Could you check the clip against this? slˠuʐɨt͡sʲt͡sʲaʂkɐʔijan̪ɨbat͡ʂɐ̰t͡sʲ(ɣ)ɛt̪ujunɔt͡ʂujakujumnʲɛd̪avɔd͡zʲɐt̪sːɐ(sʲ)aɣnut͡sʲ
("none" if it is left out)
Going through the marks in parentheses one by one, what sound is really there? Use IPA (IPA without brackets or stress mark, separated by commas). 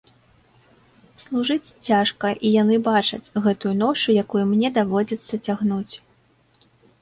ɣ, t͡sʲ